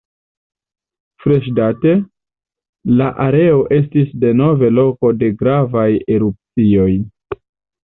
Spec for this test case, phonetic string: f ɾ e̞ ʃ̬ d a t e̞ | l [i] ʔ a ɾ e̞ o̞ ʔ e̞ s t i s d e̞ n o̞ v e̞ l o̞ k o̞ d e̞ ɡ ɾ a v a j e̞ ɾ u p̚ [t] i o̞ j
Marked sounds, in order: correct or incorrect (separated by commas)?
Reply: incorrect, incorrect